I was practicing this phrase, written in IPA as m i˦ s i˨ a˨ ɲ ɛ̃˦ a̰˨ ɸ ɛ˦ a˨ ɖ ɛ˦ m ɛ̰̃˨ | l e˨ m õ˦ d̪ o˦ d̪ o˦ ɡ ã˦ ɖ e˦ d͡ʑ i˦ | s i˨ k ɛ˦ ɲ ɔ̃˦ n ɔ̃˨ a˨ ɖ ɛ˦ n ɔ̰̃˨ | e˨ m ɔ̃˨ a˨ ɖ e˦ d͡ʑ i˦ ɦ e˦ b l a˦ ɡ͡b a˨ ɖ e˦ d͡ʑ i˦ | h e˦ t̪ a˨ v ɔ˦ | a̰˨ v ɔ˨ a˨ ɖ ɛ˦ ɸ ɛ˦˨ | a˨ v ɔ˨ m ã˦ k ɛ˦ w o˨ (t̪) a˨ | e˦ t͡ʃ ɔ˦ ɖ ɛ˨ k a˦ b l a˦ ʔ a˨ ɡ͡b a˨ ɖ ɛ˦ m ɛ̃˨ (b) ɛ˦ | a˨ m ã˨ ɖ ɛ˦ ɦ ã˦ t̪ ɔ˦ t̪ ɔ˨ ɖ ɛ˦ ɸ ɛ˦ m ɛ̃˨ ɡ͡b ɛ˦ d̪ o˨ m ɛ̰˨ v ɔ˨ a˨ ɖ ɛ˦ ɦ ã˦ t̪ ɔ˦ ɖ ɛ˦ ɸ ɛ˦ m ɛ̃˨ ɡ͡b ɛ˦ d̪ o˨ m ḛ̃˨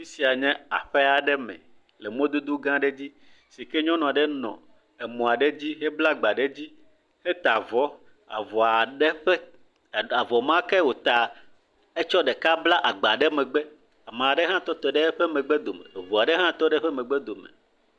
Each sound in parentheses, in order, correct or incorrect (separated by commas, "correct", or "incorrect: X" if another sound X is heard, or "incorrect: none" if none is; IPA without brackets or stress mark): correct, incorrect: ɡ͡b